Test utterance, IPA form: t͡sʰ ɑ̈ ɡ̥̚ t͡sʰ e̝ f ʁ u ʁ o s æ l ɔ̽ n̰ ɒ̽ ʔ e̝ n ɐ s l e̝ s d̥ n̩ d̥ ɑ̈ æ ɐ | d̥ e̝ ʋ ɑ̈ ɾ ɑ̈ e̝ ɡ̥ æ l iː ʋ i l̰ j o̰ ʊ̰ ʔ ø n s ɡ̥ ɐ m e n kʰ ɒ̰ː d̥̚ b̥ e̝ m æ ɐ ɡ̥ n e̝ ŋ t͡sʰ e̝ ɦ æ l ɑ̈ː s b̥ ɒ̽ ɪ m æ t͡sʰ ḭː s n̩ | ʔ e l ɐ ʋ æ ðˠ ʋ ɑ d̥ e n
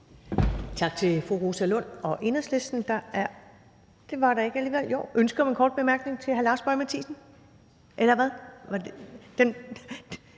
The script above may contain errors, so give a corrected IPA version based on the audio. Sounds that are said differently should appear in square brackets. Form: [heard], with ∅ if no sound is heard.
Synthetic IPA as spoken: t͡sʰ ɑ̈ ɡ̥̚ t͡sʰ e̝ f ʁ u ʁ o s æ l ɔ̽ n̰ ɒ̽ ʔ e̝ n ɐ s l e̝ s d̥ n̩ d̥ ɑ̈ æ ɐ | d̥ e̝ ʋ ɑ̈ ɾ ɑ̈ e̝ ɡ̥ æ l iː ʋ [e] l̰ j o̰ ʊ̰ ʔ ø n s ɡ̥ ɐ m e n kʰ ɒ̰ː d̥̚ b̥ e̝ m æ ɐ ɡ̥ n e̝ ŋ t͡sʰ e̝ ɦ æ l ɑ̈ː s b̥ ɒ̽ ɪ m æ t͡sʰ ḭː s n̩ | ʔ e l ɐ ʋ æ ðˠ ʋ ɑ d̥ e n